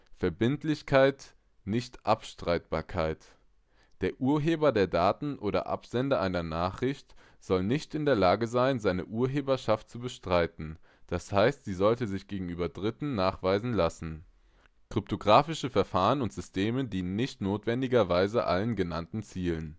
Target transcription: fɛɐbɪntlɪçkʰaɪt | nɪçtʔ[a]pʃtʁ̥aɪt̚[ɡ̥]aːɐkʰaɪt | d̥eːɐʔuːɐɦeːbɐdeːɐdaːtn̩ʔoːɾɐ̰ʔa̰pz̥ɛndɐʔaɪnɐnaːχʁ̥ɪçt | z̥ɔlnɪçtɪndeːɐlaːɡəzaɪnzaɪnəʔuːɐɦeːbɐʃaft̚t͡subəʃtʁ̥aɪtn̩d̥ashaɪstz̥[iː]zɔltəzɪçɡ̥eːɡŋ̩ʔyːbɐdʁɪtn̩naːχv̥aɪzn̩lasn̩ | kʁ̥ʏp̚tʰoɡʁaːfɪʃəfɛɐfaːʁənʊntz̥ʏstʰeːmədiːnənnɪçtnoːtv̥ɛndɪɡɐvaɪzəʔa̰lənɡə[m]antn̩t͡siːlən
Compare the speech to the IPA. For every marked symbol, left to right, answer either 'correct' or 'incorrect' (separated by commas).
correct, incorrect, correct, incorrect